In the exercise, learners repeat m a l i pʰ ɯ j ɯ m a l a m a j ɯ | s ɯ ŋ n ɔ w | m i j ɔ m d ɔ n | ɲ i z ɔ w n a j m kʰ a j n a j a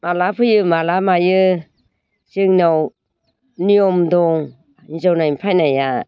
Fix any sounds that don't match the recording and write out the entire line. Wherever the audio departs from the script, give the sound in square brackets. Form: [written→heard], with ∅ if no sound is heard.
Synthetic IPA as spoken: m a l [i→a] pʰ ɯ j ɯ m a l a m a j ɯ | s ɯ ŋ n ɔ w | [m→n] i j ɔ m d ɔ [n→ŋ] | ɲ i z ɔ w n a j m [kʰ→pʰ] a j n a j a